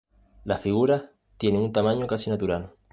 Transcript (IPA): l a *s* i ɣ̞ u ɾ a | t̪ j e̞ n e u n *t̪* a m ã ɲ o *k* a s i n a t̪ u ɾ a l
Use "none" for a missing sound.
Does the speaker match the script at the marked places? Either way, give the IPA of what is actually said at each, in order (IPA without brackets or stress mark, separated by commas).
f, t̪, k